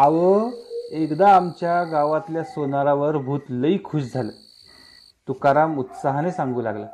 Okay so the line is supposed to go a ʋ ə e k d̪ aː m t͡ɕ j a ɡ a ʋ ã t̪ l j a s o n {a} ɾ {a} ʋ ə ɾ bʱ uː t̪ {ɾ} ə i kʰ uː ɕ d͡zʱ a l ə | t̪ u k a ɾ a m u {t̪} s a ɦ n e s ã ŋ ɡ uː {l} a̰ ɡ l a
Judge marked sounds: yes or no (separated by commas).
yes, yes, no, yes, yes